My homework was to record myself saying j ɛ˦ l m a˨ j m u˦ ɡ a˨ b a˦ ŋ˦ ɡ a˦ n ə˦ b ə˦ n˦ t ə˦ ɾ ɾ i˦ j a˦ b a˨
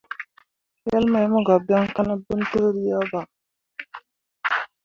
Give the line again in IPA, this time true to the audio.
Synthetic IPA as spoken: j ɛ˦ l m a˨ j m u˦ ɡ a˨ b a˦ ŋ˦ k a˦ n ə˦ b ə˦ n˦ t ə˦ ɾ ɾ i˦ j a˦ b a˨